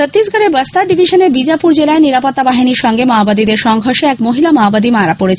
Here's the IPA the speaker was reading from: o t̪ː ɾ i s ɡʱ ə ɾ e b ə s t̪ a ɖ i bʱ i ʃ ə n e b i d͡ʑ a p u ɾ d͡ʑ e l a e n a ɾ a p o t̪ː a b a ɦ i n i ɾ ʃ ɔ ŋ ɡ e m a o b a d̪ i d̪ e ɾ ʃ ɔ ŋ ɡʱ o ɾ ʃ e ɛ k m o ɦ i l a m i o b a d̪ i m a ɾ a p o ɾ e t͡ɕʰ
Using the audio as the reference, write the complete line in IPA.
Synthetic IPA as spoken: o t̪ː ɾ i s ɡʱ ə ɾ e b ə s t̪ a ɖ i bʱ i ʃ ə n e b i d͡ʑ a p u ɾ d͡ʑ e l a e n i ɾ a p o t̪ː a b a ɦ i n i ɾ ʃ ɔ ŋ ɡ e m a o b a d̪ i d̪ e ɾ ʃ ɔ ŋ ɡʱ o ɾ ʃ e ɛ k m o ɦ i l a m a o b a d̪ i m a ɾ a p o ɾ e t͡ɕʰ